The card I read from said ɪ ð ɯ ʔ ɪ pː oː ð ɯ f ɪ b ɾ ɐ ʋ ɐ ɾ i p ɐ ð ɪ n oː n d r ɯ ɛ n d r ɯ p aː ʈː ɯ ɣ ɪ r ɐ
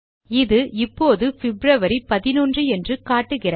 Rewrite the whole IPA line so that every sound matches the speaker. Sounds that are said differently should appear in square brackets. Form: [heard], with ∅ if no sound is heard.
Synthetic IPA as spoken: ɪ ð ɯ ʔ ɪ pː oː ð ɯ f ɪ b ɾ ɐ ʋ ɐ ɾ i p ɐ ð ɪ n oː n d r ɯ ɛ n d r ɯ [k] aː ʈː ɯ ɣ ɪ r ɐ